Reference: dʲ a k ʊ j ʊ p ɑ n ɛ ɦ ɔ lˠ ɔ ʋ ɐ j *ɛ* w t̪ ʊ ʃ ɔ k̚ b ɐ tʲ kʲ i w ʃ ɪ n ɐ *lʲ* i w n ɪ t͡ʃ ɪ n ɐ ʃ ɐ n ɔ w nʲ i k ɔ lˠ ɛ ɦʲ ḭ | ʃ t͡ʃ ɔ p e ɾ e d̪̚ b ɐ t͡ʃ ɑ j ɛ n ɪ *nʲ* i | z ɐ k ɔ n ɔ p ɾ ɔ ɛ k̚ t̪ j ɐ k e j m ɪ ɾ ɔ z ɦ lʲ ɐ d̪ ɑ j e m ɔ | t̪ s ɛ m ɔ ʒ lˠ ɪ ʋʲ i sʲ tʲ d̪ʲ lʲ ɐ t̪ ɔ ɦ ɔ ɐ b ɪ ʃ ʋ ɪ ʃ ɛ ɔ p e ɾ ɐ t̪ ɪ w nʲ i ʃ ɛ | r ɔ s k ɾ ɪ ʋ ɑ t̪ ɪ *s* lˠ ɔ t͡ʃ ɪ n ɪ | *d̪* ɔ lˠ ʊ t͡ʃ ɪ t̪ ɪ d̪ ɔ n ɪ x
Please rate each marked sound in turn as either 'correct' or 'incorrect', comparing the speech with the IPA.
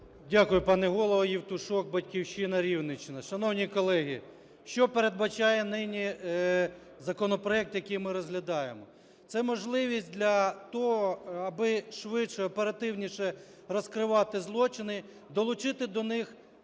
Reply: incorrect, incorrect, correct, incorrect, correct

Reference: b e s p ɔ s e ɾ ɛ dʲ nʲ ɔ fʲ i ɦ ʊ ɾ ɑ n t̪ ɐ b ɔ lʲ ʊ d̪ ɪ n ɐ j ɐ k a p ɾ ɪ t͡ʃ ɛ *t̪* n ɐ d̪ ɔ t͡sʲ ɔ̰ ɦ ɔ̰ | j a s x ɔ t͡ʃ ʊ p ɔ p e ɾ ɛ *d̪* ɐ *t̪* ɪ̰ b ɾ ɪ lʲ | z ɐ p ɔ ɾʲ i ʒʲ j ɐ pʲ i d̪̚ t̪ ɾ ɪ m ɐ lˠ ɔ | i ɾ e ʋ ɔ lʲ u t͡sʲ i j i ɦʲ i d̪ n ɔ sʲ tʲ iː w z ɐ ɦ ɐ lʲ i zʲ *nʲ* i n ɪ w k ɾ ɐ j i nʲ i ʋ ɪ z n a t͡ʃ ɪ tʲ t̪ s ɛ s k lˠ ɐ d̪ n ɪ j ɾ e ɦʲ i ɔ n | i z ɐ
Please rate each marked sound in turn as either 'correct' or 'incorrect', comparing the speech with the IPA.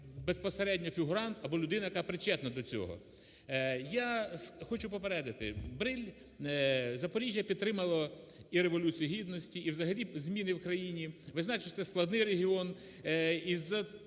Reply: correct, correct, correct, incorrect

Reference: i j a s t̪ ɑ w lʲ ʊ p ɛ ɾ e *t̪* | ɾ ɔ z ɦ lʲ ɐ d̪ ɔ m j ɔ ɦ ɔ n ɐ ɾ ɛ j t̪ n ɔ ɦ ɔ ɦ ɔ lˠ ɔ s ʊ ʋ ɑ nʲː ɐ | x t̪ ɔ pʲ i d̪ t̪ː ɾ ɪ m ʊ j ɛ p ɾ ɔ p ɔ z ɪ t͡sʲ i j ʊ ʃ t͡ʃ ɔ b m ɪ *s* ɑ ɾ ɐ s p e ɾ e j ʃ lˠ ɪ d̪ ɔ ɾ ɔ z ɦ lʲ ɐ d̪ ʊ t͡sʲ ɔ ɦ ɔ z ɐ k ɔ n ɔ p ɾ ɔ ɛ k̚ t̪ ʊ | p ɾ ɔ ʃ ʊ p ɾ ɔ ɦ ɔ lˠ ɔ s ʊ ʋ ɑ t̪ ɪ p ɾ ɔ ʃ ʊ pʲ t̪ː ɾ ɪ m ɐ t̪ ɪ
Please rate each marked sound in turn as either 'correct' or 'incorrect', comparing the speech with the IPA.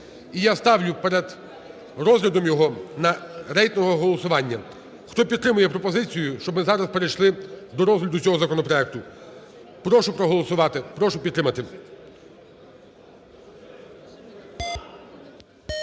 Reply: incorrect, incorrect

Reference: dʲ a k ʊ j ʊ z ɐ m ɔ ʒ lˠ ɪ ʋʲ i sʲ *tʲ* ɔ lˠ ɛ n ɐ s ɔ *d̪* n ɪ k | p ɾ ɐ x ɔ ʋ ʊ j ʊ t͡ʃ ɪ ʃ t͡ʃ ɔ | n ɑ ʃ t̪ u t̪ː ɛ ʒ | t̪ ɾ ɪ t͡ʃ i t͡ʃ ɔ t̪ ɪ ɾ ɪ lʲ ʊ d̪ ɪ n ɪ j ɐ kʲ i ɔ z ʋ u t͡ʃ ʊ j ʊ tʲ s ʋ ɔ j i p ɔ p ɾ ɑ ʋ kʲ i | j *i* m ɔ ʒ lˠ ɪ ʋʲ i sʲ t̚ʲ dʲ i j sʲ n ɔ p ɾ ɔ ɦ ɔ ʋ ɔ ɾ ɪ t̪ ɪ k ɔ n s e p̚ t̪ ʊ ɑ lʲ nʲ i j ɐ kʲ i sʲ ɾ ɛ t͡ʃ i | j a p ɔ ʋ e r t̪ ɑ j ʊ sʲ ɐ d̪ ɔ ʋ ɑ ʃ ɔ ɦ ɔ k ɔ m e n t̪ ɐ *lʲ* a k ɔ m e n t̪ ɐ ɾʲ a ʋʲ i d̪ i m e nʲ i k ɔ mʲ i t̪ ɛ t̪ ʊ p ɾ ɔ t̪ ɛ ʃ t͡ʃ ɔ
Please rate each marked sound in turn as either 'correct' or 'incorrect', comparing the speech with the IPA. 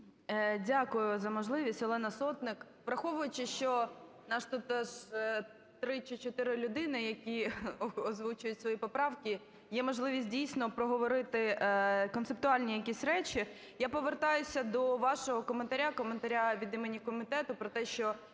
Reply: correct, incorrect, incorrect, incorrect

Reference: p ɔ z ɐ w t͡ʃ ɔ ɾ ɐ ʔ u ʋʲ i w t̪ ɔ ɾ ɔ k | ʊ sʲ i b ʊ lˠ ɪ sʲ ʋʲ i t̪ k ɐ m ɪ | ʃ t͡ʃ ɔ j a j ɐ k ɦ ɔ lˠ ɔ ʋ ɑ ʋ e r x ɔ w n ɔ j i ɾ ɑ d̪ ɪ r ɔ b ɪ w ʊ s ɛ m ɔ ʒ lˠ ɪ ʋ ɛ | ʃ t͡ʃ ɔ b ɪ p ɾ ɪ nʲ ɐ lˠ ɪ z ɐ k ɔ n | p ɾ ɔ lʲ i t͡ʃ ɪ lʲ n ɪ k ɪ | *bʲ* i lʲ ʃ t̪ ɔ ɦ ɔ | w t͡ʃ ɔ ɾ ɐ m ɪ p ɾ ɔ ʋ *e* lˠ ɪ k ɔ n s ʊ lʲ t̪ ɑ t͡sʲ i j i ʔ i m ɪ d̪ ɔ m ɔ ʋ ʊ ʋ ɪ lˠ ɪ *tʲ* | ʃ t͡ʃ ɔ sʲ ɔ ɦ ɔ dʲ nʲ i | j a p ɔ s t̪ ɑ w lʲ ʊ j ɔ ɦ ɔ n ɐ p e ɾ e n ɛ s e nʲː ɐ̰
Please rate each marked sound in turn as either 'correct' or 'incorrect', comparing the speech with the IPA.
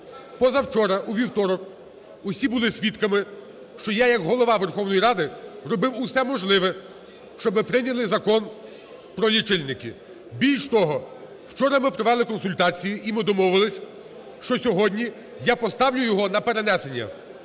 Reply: correct, incorrect, incorrect

